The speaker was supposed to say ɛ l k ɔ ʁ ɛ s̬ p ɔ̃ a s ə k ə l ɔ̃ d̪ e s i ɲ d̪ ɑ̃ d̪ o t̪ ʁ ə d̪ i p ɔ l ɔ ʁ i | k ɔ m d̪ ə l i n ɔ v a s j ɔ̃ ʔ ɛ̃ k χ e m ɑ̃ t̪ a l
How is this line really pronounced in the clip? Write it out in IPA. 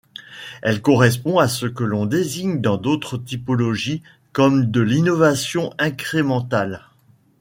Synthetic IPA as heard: ɛ l k ɔ ʁ ɛ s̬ p ɔ̃ a s ə k ə l ɔ̃ d̪ e z i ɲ d̪ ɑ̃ d̪ o t̪ χ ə t̪ i p ɔ l ɔ ʒ i | k ɔ m d̪ ə l i n ɔ v a s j ɔ̃ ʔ ɛ̃ k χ e m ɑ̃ t̪ a l